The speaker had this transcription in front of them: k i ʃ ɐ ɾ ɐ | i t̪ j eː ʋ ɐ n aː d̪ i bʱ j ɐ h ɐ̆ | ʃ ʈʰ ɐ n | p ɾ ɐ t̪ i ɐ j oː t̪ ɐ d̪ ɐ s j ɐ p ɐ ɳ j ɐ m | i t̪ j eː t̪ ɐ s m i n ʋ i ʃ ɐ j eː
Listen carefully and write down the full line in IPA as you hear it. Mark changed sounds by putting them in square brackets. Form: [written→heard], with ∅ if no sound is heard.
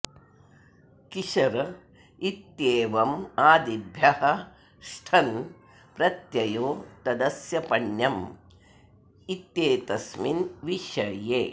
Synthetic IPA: k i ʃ ɐ ɾ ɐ | i t̪ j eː ʋ ɐ [n→m] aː d̪ i bʱ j ɐ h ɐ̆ | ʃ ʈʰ ɐ n | p ɾ ɐ t̪ [i→j] ɐ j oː t̪ ɐ d̪ ɐ s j ɐ p ɐ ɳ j ɐ m | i t̪ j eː t̪ ɐ s m i n ʋ i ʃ ɐ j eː